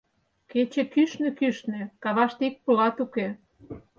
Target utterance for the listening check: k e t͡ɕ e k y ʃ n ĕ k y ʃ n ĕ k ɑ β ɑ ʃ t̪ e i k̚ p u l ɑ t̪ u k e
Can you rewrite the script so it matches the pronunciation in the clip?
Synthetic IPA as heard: k e t͡ɕ e k y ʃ n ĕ k y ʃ n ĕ k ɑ β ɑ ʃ t̪ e i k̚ p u l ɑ t̪ u k e